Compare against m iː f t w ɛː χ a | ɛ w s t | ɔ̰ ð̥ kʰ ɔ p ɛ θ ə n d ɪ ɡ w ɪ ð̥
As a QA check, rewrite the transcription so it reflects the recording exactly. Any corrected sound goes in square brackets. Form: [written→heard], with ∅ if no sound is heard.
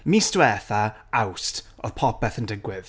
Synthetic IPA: m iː [f→s] t w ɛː [χ→θ] a | [ɛ→a] w s t | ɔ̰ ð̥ [kʰ→pʰ] ɔ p ɛ θ ə n d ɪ ɡ w ɪ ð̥